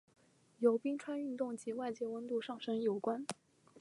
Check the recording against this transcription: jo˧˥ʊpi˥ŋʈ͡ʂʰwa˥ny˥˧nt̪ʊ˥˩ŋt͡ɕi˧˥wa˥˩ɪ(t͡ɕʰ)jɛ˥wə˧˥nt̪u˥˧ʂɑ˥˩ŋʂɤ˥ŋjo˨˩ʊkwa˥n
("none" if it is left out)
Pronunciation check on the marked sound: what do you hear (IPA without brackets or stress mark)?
t͡ɕ